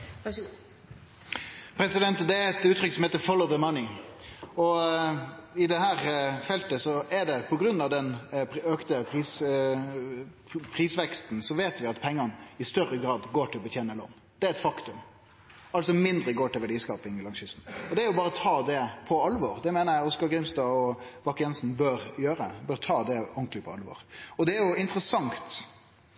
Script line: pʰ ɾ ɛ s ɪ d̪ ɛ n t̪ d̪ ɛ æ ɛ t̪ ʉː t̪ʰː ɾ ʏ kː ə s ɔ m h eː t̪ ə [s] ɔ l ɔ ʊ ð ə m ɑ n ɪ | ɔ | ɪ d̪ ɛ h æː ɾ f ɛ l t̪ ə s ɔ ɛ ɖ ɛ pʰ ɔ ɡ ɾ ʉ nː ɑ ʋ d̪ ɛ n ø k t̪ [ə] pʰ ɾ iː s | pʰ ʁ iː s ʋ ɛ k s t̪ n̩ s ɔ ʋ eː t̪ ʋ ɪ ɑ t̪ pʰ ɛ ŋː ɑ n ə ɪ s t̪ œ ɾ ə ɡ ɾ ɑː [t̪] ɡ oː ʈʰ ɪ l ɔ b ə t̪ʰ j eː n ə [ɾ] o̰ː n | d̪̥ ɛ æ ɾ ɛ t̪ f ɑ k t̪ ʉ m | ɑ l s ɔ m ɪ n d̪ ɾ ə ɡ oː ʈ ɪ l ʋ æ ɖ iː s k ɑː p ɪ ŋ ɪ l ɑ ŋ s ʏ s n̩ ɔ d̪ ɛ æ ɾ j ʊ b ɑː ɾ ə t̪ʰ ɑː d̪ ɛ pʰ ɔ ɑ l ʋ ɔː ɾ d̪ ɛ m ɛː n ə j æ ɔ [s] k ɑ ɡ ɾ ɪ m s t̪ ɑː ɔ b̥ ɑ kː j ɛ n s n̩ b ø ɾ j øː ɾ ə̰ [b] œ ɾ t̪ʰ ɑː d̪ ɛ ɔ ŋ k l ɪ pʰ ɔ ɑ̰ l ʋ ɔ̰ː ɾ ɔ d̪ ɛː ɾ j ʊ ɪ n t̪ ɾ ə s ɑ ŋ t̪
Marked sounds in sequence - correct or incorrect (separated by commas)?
incorrect, correct, incorrect, incorrect, correct, correct